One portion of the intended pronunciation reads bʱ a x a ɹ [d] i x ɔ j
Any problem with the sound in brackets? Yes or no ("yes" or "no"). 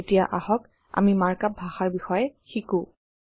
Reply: yes